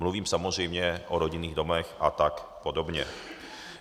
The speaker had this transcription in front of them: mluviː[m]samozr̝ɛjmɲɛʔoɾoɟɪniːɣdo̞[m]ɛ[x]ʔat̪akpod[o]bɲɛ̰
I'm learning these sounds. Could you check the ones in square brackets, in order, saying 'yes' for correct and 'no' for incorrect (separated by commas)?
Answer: yes, yes, yes, yes